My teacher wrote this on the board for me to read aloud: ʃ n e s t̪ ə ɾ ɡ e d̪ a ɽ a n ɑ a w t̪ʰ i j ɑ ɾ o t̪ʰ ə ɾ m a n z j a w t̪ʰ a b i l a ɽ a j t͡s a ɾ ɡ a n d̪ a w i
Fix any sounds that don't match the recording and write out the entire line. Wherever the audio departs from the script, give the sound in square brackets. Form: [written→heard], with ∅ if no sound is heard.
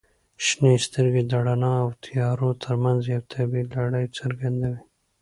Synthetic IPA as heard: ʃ n e s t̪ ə ɾ ɡ e d̪ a ɽ a n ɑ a w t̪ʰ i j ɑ ɾ o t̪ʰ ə ɾ m a n z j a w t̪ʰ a b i l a ɽ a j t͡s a ɾ ɡ a n d̪ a w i

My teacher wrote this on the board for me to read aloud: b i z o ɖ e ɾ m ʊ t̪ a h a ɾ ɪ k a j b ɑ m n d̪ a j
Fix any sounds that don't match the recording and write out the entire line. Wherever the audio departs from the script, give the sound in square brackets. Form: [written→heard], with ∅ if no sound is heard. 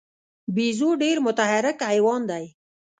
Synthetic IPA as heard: b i z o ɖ e ɾ m ʊ t̪ a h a ɾ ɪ k a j [b→w] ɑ [m→∅] n d̪ a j

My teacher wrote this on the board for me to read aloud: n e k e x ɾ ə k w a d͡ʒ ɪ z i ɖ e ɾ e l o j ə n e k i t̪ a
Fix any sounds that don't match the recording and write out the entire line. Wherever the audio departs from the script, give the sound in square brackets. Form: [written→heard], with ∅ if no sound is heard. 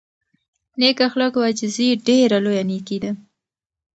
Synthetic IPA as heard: n e k [e→a] x [ɾ→l] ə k w a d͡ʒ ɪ z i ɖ e ɾ [e→a] l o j [ə→a] n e k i [t̪→d̪] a

